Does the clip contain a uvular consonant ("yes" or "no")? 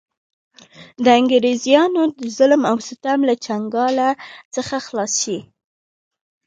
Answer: no